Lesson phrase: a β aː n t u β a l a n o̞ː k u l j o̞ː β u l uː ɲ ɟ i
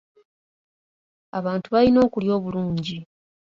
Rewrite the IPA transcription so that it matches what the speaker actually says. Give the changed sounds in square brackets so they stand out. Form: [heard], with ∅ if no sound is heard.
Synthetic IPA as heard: a β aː n t u β a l [i] n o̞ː k u l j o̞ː β u l uː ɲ ɟ i